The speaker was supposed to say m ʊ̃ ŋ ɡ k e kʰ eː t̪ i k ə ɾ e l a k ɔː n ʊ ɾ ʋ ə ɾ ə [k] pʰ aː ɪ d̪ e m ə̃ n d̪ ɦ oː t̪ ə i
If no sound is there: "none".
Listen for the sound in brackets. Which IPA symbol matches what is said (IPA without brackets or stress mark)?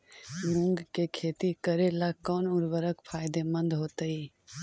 k